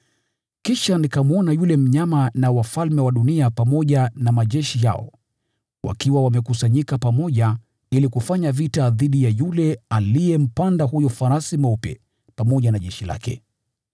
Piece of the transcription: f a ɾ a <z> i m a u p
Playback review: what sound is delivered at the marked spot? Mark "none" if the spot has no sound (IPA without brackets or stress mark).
s